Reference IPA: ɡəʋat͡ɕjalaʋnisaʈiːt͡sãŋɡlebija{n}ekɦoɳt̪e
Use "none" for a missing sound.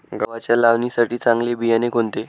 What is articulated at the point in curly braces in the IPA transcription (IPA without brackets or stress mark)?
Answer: n